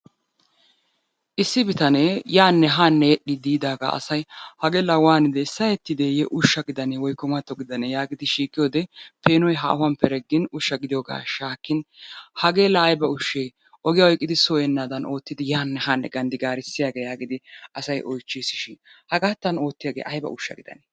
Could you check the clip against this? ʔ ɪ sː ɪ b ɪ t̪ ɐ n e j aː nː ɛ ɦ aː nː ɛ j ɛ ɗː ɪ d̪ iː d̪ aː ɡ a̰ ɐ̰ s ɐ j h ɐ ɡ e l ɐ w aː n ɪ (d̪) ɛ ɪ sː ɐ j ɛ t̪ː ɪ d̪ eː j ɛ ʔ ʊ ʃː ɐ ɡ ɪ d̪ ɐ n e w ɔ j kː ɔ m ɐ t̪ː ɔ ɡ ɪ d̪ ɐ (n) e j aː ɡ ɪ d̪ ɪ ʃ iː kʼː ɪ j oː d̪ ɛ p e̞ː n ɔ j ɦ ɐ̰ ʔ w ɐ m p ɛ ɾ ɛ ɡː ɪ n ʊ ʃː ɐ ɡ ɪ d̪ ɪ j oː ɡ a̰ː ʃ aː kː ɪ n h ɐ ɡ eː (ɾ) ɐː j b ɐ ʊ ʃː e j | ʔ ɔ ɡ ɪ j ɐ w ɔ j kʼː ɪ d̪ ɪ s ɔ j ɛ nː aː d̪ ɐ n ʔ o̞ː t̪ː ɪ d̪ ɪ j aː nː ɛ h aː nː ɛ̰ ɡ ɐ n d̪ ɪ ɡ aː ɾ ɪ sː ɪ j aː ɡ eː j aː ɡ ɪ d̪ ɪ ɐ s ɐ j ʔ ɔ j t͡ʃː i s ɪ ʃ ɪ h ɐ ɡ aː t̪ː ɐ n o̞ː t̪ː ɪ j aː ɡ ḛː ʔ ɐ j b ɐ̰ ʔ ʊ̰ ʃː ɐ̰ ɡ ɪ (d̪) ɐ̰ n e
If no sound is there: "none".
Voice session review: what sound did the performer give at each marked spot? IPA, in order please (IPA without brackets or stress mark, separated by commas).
d̪, n, l, d̪